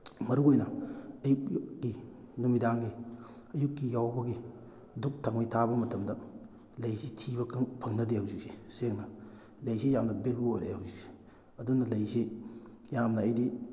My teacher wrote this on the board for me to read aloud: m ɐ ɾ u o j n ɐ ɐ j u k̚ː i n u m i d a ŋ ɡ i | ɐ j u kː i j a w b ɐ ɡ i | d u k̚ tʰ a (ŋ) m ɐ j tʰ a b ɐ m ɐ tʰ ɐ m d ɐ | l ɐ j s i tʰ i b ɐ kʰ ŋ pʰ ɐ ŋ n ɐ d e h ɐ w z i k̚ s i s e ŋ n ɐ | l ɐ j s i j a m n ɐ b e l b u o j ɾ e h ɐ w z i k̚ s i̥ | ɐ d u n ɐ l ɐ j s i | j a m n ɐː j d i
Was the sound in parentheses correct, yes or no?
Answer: yes